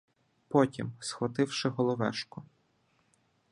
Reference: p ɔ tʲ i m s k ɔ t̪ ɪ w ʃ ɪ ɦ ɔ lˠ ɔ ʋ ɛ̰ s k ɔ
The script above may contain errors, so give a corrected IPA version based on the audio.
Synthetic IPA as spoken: p ɔ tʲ i m s x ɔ t̪ ɪ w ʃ ɪ ɦ ɔ lˠ ɔ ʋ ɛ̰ ʃ k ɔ